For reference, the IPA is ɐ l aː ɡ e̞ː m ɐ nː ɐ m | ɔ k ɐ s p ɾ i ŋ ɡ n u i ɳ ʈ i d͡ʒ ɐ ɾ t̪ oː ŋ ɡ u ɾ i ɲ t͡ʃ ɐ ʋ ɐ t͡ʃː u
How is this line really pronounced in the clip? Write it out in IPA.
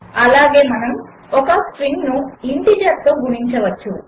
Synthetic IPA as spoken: ɐ l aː ɡ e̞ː m ɐ n ɐ m | ɔ k ɐ s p ɾ i ŋ ɡ n u i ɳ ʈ i d͡ʒ ɐ ɾ t̪ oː ɡ u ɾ i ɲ t͡ʃ ɐ ʋ ɐ t͡ʃː u